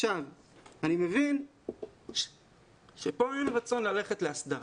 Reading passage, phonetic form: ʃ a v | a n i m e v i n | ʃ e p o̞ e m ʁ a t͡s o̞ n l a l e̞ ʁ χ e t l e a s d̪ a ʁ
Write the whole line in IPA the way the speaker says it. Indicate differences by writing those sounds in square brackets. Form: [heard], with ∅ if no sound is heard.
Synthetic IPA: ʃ a v | a n i m e v i n | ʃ e p o̞ e m ʁ a t͡s o̞ n l a l e̞ [∅] χ e t l e a s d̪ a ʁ